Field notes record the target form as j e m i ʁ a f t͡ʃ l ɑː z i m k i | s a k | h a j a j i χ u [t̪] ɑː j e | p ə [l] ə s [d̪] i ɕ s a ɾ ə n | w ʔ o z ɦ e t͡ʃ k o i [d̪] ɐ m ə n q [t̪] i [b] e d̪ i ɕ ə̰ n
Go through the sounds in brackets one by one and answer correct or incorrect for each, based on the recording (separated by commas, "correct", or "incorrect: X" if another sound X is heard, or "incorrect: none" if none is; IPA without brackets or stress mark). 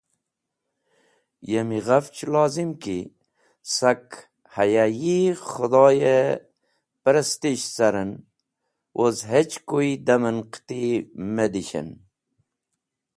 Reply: incorrect: d̪, incorrect: ɾ, incorrect: t̪, correct, correct, incorrect: m